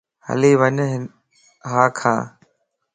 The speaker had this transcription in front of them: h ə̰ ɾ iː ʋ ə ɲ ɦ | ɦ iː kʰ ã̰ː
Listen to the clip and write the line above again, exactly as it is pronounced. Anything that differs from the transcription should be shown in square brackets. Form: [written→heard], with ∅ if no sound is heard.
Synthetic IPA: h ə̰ [ɾ→l] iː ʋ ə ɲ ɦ | ɦ [iː→aː] kʰ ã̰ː